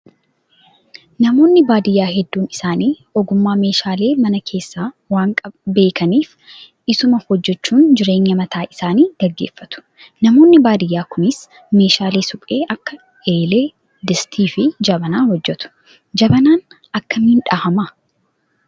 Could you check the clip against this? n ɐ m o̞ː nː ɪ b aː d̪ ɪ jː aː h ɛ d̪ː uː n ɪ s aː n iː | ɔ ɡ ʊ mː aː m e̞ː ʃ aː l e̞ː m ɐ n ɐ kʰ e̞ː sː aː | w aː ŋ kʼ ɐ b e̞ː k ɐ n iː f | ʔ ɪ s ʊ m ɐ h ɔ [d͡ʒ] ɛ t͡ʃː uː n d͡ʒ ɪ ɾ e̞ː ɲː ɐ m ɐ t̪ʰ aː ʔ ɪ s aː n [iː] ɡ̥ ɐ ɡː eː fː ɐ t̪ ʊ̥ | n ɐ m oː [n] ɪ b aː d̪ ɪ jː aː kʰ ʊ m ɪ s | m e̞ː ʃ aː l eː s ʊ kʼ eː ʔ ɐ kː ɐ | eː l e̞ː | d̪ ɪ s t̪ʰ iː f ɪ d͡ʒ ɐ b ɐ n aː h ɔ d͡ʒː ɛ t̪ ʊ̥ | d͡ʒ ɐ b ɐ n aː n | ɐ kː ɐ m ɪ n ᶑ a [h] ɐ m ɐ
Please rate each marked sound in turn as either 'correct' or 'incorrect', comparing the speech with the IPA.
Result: incorrect, correct, incorrect, correct

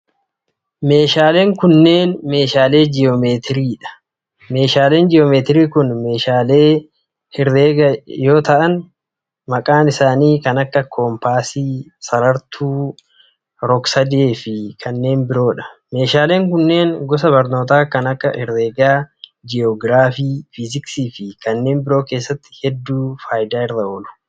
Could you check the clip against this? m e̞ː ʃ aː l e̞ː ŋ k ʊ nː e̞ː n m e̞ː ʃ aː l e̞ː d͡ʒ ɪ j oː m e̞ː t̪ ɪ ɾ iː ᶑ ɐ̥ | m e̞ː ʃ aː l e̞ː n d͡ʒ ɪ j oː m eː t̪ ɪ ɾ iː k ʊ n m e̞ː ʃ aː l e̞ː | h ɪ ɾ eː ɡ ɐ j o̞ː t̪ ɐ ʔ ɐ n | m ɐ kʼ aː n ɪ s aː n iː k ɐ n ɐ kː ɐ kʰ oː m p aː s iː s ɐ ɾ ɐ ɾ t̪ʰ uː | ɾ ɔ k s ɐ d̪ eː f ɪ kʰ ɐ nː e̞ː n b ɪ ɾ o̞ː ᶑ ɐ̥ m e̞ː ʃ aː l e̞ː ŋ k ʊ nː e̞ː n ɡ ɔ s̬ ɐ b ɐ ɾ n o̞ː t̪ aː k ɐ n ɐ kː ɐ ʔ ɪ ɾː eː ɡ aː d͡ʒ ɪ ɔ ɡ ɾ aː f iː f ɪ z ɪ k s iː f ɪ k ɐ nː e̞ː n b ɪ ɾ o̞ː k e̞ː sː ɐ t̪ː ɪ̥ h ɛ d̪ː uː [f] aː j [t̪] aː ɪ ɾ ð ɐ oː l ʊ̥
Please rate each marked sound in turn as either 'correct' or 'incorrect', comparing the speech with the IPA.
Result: correct, incorrect

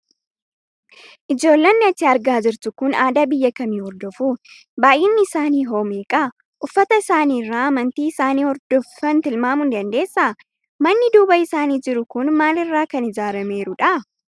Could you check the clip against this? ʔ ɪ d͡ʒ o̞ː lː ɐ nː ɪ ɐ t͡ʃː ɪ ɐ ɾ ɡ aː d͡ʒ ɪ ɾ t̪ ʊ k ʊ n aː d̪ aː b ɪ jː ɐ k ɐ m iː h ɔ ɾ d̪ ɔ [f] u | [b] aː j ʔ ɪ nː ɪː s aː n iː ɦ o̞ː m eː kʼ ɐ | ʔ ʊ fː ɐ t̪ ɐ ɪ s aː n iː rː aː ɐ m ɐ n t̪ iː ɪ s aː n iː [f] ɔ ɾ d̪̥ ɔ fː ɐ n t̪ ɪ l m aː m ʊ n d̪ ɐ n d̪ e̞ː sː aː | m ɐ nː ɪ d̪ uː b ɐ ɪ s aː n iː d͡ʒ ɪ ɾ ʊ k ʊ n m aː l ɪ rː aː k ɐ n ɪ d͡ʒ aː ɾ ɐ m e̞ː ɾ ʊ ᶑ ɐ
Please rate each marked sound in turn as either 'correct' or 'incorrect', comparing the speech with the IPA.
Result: correct, correct, incorrect

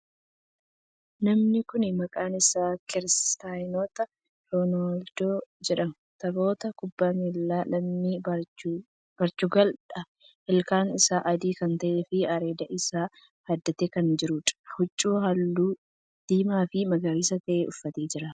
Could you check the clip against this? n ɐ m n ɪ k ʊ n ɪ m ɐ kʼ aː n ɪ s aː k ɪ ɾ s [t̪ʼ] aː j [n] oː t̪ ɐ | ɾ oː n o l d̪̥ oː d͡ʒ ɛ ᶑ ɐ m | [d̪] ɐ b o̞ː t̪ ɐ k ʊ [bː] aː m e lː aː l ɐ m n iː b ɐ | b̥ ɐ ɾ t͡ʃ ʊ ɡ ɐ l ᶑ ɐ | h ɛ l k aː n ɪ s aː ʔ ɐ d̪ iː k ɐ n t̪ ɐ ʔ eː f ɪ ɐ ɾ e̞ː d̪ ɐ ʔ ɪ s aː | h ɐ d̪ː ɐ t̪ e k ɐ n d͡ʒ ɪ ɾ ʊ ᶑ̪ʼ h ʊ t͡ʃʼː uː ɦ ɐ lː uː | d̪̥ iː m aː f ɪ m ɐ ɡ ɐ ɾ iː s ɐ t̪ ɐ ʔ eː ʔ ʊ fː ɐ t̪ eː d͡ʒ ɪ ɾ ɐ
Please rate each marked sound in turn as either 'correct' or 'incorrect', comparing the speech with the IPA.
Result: incorrect, correct, incorrect, correct

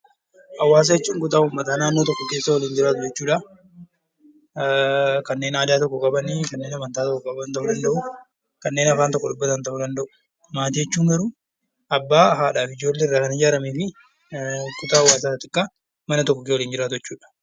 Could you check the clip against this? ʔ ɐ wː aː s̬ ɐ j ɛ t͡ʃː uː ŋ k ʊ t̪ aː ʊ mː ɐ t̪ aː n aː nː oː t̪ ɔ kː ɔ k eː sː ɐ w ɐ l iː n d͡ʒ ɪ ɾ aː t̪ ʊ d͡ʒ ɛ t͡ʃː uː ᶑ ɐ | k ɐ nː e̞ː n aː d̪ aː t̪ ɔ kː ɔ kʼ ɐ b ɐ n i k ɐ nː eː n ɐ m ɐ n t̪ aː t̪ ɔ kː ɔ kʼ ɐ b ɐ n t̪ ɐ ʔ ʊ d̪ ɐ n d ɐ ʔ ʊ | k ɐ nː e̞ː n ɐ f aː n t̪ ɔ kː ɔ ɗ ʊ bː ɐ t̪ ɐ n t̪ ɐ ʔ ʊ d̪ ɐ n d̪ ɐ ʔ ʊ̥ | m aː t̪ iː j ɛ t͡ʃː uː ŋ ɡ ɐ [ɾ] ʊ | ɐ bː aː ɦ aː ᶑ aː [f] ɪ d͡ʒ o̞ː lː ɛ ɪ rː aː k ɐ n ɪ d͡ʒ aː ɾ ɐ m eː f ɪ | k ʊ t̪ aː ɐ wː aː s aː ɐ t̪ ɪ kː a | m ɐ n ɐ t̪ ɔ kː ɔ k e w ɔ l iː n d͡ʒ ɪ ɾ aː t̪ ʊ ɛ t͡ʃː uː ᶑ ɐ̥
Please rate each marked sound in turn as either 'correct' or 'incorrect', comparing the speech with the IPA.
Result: correct, correct

